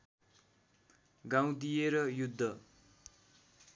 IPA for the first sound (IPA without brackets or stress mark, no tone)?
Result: ɡ